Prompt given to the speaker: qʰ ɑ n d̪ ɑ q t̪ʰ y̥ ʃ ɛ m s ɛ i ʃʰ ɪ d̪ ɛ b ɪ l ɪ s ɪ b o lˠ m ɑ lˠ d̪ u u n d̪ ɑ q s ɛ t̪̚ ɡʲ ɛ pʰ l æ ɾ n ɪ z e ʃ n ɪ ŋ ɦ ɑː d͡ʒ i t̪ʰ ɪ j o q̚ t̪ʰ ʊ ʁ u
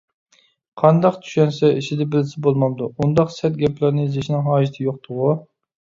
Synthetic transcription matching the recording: qʰ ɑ n d̪ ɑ q t̪ʰ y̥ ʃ ɛ n s ɛ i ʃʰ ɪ d̪ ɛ b ɪ l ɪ s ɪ b o lˠ m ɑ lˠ d̪ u u n d̪ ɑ q s ɛ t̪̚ ɡʲ ɛ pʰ l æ ɾ n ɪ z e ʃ n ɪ ŋ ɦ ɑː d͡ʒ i t̪ʰ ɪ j o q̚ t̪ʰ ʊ ʁ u